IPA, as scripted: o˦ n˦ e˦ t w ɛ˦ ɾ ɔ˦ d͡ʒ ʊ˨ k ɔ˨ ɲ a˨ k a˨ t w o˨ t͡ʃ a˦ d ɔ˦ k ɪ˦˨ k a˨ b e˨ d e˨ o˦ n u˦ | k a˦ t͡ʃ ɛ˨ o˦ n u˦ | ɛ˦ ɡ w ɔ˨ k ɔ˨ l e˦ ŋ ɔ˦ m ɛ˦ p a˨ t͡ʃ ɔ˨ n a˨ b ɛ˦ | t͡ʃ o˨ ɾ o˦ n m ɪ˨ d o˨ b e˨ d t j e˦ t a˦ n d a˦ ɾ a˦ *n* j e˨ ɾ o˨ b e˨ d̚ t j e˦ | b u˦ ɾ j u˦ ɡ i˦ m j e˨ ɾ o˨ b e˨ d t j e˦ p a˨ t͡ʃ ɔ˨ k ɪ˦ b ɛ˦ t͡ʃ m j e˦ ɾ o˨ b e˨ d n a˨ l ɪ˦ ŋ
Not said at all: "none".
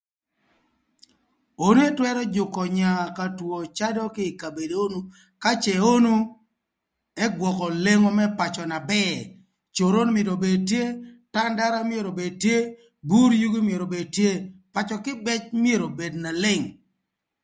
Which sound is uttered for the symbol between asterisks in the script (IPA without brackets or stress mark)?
m